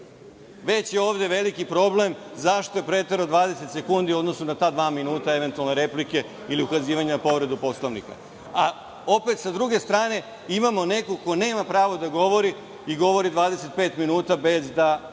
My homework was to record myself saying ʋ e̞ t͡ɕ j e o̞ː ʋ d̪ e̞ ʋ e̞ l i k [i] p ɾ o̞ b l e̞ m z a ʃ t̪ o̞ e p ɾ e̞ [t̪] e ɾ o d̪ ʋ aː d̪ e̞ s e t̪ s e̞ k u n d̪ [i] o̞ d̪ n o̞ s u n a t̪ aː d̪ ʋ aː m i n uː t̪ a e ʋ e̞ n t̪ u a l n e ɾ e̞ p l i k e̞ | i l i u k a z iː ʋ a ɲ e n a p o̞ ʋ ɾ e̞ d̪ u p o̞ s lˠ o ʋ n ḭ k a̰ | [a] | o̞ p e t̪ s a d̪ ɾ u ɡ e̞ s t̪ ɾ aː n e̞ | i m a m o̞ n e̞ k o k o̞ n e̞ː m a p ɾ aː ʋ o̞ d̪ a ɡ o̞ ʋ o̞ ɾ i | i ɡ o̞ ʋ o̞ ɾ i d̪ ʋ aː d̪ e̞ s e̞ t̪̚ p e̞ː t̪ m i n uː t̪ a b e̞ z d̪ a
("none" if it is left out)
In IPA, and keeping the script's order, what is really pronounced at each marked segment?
i, t̪, i, a

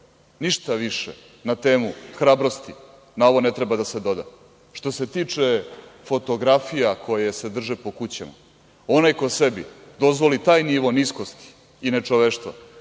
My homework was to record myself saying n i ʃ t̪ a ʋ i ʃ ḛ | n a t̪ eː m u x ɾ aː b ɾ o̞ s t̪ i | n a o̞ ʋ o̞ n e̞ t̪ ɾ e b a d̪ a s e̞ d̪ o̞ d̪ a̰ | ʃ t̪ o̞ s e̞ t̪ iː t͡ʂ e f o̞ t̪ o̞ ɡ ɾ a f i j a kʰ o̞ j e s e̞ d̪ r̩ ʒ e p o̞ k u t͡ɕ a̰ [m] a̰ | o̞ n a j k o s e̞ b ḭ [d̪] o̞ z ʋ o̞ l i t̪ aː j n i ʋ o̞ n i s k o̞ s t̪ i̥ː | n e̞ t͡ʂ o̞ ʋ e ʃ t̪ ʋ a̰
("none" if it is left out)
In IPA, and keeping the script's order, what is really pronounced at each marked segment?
m, d̪

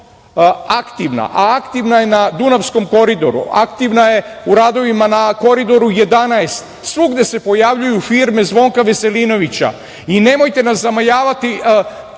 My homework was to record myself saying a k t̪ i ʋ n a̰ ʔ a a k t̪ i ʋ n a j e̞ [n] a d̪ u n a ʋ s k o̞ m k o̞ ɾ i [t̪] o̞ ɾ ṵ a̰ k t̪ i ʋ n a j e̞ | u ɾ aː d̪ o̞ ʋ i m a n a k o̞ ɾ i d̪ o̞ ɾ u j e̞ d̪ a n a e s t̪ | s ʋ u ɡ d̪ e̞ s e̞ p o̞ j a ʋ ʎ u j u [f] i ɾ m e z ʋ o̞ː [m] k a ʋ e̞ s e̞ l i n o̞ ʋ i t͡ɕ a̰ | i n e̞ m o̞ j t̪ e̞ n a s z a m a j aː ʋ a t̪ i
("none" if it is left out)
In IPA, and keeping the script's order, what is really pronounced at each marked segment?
n, d̪, f, ŋ

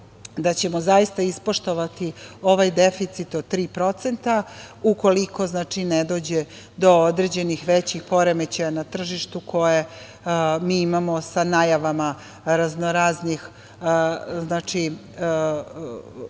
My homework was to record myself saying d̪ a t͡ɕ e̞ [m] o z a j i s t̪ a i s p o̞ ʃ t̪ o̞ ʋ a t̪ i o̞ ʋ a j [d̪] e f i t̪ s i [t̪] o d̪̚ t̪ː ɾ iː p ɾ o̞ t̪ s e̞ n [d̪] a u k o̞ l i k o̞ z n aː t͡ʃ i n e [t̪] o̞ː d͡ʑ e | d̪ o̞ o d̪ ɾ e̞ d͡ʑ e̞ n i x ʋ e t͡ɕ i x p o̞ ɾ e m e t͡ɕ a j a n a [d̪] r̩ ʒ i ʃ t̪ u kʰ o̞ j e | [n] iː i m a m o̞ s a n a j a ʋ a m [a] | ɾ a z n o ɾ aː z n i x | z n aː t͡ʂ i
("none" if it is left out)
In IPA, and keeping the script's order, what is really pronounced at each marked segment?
m, d̪, t̪, t̪, d̪, t̪, m, a

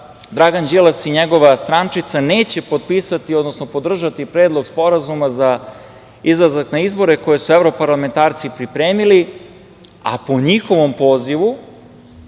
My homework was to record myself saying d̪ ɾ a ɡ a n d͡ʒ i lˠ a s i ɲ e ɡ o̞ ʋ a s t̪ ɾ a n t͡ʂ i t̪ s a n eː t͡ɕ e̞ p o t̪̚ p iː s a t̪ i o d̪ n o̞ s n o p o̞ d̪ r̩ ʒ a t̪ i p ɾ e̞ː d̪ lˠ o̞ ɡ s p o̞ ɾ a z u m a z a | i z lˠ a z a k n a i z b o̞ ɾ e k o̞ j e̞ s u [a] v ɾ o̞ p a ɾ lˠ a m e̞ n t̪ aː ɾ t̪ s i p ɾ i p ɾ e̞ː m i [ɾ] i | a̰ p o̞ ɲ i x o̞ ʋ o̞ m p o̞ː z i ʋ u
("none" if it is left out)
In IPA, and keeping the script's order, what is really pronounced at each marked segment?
e, l

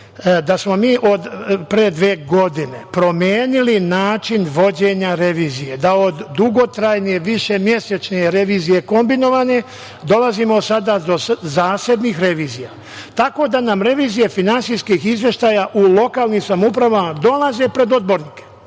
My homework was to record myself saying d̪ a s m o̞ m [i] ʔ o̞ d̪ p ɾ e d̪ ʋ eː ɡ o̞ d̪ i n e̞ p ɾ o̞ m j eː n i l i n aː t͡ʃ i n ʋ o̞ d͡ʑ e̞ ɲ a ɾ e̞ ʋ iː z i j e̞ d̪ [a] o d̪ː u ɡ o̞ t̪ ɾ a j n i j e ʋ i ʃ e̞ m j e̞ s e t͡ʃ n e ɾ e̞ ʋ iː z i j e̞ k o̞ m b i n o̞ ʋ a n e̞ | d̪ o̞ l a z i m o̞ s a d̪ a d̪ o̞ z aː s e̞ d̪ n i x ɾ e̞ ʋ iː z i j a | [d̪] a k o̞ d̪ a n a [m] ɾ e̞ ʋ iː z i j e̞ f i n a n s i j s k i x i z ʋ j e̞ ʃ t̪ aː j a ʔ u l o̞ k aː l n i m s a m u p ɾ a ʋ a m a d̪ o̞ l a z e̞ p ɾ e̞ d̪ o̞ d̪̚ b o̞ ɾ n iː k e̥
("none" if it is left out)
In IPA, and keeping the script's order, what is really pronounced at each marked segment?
iː, a, t̪, m

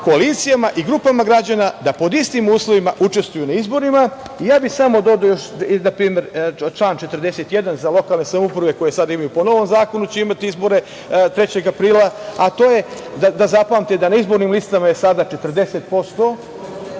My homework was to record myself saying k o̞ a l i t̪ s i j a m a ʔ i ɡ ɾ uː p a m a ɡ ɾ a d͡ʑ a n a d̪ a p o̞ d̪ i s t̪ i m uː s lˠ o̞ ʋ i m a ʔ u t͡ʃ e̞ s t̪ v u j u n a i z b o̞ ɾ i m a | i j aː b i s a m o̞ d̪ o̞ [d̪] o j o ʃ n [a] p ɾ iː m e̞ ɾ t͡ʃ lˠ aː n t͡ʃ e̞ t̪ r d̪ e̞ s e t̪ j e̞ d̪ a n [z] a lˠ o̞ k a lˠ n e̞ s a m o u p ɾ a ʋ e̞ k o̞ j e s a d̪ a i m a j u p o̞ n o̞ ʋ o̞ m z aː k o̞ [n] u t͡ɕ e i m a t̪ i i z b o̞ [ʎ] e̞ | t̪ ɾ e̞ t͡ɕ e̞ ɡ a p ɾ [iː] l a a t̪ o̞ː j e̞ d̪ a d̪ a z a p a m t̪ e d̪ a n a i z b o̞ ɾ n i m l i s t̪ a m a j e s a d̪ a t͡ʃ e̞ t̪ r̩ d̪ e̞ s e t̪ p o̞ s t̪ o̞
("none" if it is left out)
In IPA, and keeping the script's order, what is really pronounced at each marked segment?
d̪, a, z, n, ɾ, iː

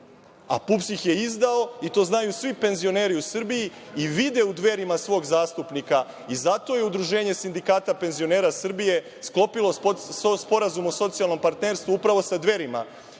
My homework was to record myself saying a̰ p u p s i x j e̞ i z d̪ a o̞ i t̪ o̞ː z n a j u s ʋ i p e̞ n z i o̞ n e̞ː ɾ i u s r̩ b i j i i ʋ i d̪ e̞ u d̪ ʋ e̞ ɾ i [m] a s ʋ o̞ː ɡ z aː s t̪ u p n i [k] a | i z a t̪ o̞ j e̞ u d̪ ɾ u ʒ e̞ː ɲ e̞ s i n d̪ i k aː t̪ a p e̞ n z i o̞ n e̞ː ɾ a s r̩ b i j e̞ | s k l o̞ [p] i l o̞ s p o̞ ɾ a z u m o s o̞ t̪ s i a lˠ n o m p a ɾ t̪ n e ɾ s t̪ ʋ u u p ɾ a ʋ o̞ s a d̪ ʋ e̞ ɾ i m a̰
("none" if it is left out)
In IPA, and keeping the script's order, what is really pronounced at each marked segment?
m, k, p

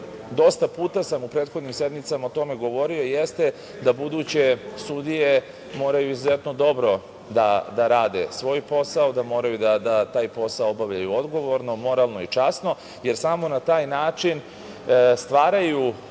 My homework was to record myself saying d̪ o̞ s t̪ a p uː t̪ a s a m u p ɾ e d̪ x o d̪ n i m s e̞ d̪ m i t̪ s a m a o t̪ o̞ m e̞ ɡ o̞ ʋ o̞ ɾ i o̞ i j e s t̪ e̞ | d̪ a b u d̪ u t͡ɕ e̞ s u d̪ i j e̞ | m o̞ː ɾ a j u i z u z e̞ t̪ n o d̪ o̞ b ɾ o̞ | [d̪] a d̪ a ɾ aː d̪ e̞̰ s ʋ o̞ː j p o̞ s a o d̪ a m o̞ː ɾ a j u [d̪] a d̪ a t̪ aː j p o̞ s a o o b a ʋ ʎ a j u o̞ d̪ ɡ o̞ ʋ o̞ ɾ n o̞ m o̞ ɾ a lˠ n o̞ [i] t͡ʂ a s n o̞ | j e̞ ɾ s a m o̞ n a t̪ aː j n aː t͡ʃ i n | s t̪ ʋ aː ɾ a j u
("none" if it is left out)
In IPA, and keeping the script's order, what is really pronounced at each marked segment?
d̪, d̪, i

